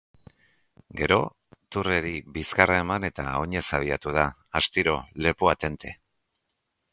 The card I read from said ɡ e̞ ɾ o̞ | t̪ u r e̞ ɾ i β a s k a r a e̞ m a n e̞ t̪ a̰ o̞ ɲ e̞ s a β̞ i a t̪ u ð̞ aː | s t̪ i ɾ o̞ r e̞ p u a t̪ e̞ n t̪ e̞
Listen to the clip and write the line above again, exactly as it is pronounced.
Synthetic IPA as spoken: ɡ e̞ ɾ o̞ | t̪ u r e̞ ɾ i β i s k a r a e̞ m a n e̞ t̪ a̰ o̞ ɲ e̞ s a β̞ i a t̪ u ð̞ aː | s t̪ i ɾ o̞ l e̞ p u a t̪ e̞ n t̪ e̞